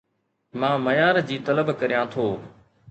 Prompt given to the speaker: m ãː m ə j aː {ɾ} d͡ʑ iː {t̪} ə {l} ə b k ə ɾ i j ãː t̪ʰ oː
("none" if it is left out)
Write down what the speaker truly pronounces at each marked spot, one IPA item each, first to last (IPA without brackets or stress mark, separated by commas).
ɾ, t̪, l